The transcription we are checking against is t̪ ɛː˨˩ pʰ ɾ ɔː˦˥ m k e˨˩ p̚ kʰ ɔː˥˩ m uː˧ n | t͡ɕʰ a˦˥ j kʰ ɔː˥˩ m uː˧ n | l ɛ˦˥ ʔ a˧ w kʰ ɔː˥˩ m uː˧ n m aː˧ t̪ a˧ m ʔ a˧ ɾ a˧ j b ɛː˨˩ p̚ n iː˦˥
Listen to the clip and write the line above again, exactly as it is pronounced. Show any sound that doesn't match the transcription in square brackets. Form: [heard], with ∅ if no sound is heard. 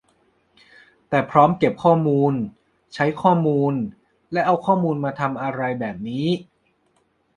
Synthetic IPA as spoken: t̪ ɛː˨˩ pʰ ɾ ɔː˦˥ m k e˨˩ p̚ kʰ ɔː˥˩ m uː˧ n | t͡ɕʰ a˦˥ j kʰ ɔː˥˩ m uː˧ n | l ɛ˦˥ ʔ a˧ w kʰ ɔː˥˩ m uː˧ n m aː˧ [t̪ʰ] a˧ m ʔ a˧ ɾ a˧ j b ɛː˨˩ p̚ n iː˦˥